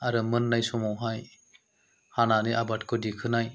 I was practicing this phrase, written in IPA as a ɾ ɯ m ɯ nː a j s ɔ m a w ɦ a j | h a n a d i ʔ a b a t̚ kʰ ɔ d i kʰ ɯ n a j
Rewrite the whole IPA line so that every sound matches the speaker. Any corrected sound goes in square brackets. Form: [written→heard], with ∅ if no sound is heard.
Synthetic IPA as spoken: a ɾ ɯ m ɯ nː a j s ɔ m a w ɦ a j | h a n a [d→n] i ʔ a b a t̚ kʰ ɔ d i kʰ ɯ n a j